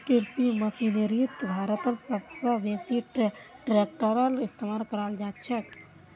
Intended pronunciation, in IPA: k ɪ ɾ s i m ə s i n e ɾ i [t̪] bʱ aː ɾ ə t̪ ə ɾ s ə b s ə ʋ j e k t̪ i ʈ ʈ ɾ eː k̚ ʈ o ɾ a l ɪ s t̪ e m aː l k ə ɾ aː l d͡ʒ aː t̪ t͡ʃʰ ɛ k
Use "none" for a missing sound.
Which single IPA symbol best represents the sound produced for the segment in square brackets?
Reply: t̪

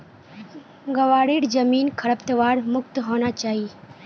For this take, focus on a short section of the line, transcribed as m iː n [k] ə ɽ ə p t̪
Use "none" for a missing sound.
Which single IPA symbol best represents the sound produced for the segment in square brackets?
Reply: kʰ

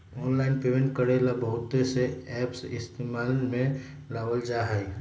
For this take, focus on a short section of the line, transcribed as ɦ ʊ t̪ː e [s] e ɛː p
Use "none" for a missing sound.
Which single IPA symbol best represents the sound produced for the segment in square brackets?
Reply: s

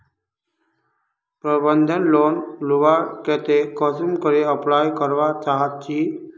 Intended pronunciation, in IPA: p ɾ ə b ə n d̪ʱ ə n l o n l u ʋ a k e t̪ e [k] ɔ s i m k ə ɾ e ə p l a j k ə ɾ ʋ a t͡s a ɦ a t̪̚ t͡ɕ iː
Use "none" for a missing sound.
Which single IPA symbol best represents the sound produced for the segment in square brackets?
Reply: k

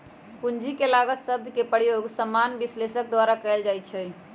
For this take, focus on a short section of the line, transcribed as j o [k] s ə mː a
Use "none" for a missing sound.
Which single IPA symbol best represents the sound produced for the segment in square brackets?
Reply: ɡ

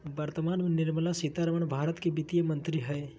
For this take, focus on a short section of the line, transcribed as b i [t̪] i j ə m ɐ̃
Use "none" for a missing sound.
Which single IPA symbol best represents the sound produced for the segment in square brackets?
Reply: t̪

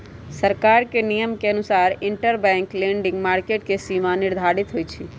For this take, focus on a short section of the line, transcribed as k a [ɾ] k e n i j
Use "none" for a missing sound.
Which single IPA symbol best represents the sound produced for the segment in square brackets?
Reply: ɾ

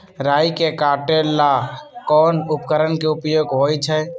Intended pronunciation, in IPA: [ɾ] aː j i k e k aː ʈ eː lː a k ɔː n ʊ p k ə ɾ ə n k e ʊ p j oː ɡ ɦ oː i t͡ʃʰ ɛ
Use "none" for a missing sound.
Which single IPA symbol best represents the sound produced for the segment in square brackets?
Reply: ɾ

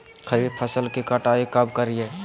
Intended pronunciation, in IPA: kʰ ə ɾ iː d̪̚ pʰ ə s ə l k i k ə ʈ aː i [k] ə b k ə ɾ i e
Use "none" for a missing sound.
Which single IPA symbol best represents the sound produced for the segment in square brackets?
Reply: k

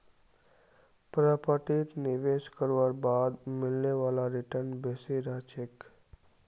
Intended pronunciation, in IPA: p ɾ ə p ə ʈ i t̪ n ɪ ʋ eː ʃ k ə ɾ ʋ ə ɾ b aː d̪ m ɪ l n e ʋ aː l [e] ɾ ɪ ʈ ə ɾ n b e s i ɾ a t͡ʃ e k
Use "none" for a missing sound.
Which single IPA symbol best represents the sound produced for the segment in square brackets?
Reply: a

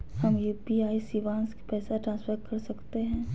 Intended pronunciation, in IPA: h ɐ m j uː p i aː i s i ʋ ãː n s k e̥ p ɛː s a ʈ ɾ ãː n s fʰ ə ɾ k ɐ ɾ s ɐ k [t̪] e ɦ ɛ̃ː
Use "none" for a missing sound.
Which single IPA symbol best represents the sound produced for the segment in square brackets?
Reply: t̪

